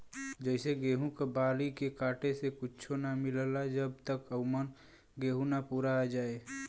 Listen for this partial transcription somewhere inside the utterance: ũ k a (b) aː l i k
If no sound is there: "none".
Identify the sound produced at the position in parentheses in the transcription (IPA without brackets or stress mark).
b